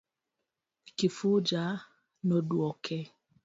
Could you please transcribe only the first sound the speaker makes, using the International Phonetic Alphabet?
k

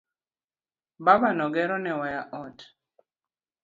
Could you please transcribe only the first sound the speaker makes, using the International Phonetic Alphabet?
b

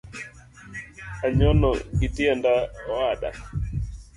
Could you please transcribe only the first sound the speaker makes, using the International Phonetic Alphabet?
a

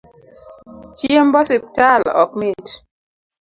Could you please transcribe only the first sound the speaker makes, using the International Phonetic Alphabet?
t͡ʃ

